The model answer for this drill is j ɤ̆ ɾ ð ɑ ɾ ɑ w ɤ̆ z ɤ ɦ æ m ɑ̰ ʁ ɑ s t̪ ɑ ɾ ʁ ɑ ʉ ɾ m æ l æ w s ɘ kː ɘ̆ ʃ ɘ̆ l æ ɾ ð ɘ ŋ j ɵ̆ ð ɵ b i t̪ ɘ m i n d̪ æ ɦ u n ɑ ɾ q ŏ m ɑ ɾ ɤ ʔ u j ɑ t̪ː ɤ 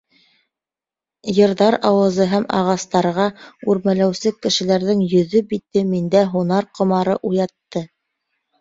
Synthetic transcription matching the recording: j ɤ̆ ɾ ð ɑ ɾ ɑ w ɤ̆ z ɤ ɦ æ m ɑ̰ ʁ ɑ s t̪ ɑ ɾ ʁ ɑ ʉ ɾ m æ l æ w s ɘ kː ɘ̆ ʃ ɘ̆ l æ ɾ ð ɘ ŋ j ɵ̆ ð ɵ b i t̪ ɘ m i n d̪ æ ɦ u n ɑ ɾ q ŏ m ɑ ɾ ɤ ʔ u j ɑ t̪ː ɤ

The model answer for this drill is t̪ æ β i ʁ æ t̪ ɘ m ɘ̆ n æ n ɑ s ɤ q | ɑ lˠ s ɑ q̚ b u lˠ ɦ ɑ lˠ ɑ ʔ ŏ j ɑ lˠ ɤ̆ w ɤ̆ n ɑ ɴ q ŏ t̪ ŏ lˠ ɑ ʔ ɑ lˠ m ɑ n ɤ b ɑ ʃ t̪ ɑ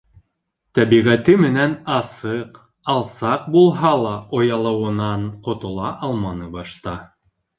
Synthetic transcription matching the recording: t̪ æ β i ʁ æ t̪ ɘ m ɘ̆ n æ n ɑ s ɤ q | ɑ lˠ s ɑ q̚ b u lˠ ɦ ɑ lˠ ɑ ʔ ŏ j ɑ lˠ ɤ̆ w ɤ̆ n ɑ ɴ q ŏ t̪ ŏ lˠ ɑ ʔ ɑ lˠ m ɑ n ɤ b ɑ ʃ t̪ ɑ

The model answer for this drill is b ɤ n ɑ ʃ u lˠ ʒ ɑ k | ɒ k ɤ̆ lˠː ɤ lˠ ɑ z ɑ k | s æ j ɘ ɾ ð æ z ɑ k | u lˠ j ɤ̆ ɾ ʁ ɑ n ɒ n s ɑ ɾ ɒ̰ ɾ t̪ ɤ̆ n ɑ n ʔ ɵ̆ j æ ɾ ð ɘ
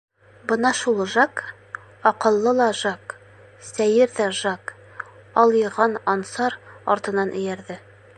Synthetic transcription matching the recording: b ɤ n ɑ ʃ u lˠ ʒ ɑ k | ɒ q ɤ̆ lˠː ɤ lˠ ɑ ʒ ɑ k | s æ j ɘ ɾ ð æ ʒ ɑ k | ɒ lˠ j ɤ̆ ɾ ʁ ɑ n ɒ n s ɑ ɾ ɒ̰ ɾ t̪ ɤ̆ n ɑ n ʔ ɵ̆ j æ ɾ ð ɘ

